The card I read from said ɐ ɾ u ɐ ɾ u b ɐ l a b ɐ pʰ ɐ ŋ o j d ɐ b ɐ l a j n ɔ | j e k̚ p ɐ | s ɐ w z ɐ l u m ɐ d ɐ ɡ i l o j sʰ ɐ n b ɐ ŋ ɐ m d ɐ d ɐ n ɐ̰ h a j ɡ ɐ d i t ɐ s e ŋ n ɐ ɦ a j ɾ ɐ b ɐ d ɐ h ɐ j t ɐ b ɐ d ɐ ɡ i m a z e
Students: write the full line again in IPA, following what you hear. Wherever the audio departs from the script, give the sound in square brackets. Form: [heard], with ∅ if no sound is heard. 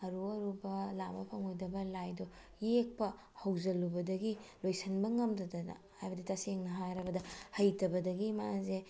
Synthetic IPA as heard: ɐ ɾ u ɐ ɾ u b ɐ l a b ɐ pʰ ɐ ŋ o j d ɐ b ɐ l a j [d] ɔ | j e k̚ p ɐ | [h] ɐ w z ɐ l u [b] ɐ d ɐ ɡ i l o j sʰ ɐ n b ɐ ŋ ɐ m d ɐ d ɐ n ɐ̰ h a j [b] ɐ d i t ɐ s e ŋ n ɐ ɦ a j ɾ ɐ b ɐ d ɐ h ɐ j t ɐ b ɐ d ɐ ɡ i m a z e